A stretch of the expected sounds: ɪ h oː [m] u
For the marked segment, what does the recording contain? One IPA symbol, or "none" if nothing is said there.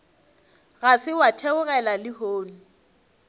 n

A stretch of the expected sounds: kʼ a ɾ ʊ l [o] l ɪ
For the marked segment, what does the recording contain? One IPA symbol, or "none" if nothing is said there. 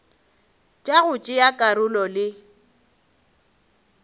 ɔ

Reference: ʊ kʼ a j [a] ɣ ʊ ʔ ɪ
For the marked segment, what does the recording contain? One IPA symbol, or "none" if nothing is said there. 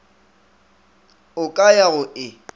a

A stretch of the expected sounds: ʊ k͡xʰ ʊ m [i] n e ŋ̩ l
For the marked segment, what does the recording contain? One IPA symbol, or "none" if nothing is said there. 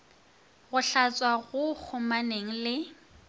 a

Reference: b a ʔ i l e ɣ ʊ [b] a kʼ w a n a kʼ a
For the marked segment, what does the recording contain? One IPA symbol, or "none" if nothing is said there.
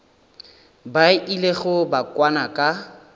b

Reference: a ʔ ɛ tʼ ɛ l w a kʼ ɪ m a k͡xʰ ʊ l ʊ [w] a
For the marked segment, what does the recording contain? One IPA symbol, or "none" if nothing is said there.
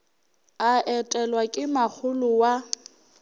w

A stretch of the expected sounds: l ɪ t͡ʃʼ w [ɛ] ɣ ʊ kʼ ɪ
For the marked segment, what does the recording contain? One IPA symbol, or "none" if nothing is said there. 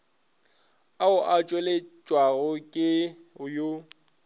a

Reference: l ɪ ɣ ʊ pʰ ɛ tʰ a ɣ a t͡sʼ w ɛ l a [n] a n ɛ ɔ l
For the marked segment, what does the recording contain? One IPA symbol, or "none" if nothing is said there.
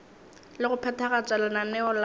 n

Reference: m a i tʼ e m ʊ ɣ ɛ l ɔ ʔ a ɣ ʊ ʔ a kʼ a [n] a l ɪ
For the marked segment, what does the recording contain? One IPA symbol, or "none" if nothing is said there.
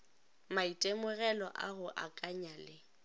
ɲ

